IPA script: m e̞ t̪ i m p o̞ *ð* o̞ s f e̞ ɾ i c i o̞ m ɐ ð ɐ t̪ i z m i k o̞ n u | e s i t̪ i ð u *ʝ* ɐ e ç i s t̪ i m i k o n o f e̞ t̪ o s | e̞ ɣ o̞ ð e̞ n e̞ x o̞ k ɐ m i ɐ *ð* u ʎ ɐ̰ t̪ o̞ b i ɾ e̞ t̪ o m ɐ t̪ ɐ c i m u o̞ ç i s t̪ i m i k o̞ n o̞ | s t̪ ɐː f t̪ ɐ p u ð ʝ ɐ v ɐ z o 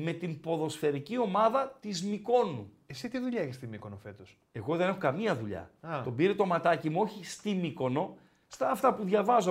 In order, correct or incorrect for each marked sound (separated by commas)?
correct, incorrect, correct